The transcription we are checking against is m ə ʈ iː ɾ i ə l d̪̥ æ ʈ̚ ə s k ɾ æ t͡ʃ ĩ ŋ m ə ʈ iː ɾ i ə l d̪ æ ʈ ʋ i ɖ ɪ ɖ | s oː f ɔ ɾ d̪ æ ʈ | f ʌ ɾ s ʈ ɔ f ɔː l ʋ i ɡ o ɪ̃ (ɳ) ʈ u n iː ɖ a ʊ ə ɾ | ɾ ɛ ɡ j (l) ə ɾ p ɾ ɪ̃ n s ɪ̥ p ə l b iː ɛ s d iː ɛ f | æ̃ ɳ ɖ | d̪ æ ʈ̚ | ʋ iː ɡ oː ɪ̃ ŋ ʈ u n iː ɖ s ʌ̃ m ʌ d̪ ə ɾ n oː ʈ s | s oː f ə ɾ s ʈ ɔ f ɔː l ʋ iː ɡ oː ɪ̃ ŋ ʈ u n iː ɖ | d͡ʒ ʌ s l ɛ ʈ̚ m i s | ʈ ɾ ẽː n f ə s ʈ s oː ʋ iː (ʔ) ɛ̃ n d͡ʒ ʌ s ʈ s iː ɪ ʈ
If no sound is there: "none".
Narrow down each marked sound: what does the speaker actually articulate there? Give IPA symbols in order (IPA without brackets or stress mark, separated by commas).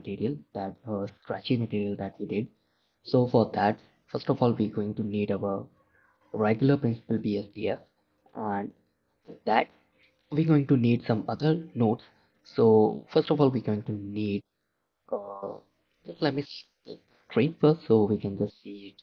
ŋ, l, k